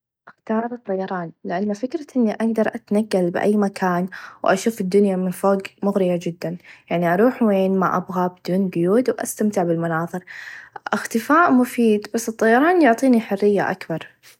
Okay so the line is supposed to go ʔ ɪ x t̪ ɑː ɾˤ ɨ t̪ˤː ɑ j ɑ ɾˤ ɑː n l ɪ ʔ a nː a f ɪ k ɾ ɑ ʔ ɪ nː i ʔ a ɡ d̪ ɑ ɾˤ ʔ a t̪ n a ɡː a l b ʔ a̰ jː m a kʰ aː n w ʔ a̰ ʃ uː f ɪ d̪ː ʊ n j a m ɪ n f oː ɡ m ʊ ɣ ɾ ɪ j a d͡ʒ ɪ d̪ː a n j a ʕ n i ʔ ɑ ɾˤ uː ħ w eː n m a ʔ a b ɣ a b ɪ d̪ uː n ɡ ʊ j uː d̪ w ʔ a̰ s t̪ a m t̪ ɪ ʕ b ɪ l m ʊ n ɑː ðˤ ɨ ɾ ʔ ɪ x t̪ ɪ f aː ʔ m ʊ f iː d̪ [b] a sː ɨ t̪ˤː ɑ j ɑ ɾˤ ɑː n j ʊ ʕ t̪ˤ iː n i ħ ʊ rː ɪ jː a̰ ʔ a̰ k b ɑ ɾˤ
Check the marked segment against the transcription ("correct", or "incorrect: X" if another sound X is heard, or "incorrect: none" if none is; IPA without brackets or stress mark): correct